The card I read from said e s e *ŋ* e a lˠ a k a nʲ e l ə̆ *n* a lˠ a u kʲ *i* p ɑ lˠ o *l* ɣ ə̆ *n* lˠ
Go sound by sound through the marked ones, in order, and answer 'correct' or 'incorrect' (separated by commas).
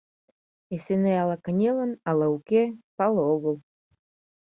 incorrect, correct, incorrect, incorrect, incorrect